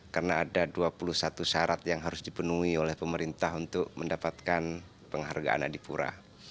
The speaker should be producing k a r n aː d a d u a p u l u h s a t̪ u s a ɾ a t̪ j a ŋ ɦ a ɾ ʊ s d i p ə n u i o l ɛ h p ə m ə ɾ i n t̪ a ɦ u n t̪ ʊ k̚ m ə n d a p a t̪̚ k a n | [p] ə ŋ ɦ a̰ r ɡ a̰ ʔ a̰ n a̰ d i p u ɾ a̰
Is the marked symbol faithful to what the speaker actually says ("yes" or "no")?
yes